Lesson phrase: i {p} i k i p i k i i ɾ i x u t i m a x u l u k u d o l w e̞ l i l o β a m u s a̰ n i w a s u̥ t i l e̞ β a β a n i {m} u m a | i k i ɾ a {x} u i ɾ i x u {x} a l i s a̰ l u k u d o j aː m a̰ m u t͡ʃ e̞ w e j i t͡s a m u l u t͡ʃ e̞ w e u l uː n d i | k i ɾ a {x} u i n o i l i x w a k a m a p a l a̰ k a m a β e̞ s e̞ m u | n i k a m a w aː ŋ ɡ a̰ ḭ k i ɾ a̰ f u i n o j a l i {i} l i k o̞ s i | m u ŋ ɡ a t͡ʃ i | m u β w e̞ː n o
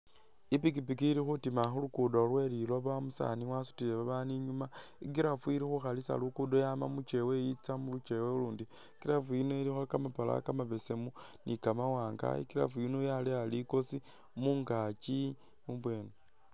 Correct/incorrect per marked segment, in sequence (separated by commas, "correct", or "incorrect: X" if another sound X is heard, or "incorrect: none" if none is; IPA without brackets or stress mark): correct, incorrect: ɲ, incorrect: f, correct, incorrect: f, incorrect: a